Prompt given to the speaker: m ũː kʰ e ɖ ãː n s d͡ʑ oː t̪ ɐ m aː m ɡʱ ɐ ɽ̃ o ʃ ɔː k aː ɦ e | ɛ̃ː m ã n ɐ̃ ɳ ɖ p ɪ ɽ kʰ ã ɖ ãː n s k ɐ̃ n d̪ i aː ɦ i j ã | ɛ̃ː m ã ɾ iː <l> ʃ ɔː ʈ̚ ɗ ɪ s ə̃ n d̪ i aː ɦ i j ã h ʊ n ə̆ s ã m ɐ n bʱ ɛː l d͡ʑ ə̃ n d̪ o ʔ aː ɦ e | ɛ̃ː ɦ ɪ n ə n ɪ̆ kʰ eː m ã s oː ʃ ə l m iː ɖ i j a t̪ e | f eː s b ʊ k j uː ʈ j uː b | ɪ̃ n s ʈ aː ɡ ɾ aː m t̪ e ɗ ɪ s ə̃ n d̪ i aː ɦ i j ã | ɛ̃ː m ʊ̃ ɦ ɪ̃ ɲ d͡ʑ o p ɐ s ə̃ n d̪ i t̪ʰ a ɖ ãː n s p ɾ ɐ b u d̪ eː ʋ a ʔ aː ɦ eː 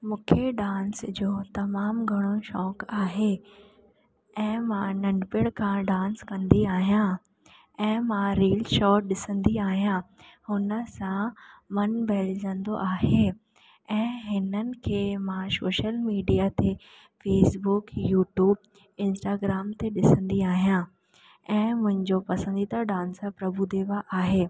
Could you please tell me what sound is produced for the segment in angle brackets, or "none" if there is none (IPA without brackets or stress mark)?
l